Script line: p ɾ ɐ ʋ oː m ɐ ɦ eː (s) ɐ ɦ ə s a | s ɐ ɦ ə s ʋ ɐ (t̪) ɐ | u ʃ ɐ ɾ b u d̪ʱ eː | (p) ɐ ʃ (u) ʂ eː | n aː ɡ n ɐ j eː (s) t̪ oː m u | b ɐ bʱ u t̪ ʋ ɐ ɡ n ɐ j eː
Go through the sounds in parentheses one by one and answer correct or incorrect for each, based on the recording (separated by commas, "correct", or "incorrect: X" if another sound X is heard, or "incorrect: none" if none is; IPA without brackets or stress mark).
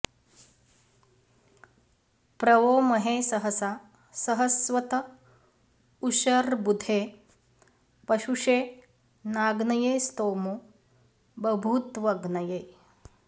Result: correct, correct, correct, correct, correct